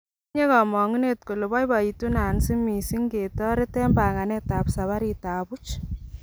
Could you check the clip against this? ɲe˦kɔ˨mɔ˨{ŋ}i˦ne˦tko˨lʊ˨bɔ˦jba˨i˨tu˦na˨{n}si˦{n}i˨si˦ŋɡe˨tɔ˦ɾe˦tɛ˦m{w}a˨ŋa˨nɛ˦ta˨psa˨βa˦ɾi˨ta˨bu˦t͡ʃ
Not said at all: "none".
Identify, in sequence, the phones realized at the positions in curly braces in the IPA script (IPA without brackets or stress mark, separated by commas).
ŋ, n, m, b